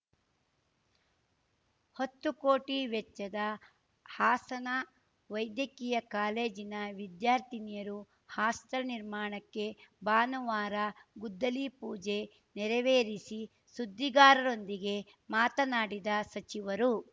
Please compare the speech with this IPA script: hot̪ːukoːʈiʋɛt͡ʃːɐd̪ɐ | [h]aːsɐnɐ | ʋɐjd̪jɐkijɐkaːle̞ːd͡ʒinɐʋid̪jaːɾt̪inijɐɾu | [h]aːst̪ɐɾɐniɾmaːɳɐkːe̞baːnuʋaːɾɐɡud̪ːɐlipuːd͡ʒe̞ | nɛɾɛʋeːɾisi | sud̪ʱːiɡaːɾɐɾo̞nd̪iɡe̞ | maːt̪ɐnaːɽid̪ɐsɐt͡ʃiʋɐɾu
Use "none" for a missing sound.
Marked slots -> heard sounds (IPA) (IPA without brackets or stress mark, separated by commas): h, h